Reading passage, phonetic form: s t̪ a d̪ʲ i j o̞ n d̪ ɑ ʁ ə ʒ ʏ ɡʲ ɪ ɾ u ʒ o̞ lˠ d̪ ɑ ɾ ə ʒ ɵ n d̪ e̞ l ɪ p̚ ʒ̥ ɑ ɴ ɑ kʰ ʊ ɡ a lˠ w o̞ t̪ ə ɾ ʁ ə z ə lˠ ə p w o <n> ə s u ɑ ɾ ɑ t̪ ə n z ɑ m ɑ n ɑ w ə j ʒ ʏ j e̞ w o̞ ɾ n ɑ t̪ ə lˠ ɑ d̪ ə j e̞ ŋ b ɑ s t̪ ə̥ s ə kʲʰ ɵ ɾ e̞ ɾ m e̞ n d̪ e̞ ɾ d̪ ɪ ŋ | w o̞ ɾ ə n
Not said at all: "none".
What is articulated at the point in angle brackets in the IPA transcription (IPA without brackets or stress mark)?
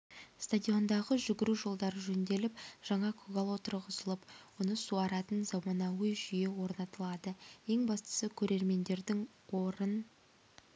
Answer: n